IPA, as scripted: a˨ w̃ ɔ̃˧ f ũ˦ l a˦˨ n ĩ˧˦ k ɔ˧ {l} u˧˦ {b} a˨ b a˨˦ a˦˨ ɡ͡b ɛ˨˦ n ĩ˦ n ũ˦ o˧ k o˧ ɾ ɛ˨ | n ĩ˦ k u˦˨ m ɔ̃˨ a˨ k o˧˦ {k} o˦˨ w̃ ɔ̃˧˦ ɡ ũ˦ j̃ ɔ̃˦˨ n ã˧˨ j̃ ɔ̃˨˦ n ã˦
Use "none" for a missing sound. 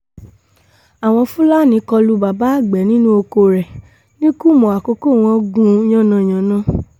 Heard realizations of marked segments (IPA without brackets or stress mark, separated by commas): l, b, k